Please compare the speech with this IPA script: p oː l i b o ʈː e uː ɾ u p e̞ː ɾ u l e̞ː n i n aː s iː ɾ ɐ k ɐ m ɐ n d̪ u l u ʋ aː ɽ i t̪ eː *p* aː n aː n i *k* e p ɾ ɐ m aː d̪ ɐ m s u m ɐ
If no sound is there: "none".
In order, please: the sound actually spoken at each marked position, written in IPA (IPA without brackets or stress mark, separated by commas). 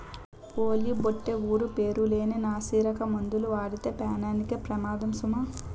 p, k